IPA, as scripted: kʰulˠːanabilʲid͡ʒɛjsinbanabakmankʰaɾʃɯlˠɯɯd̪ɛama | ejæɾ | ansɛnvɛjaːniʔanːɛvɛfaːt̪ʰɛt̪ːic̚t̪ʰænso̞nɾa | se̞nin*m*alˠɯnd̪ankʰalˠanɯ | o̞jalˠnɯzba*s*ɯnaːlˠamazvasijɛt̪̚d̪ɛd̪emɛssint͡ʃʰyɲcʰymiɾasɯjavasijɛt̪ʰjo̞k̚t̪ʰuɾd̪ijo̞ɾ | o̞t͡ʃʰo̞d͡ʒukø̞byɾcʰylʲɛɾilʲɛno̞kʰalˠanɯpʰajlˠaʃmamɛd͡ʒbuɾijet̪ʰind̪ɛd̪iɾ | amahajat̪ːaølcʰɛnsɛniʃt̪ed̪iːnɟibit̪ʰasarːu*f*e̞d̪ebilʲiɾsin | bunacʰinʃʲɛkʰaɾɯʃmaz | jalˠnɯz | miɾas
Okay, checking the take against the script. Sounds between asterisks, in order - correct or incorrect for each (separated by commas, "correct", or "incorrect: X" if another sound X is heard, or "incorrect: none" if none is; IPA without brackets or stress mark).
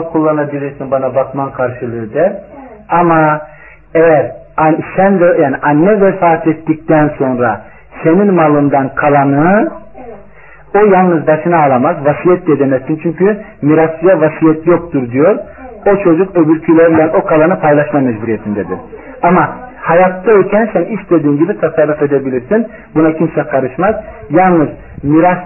correct, incorrect: ʃ, correct